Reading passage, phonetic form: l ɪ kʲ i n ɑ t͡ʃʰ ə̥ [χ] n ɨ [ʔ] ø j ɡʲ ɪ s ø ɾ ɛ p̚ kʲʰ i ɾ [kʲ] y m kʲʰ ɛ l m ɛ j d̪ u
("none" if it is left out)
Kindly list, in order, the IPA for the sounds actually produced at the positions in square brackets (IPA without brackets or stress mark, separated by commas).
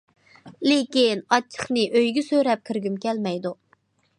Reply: χ, ʔ, ɡʲ